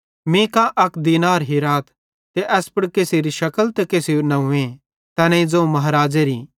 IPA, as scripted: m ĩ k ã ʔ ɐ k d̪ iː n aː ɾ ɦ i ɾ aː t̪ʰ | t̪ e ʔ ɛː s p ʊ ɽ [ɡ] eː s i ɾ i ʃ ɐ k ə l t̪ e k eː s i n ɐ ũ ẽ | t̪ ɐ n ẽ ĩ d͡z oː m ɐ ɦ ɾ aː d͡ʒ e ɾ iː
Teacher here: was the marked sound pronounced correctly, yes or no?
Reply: no